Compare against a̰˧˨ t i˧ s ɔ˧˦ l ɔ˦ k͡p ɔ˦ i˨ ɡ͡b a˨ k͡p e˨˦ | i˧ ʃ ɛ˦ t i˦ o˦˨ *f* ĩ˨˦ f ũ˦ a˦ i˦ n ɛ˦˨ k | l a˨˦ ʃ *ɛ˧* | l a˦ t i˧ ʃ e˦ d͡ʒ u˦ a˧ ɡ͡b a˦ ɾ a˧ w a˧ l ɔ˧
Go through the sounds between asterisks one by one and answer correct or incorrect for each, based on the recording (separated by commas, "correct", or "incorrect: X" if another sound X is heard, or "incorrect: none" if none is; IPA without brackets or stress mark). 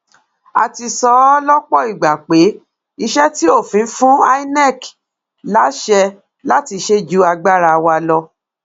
correct, correct